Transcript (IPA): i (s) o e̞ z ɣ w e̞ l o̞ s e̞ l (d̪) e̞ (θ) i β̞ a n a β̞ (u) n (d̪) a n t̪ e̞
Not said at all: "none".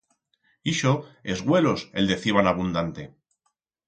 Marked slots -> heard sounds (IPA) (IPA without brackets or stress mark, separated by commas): ʃ, d̪, θ, u, d̪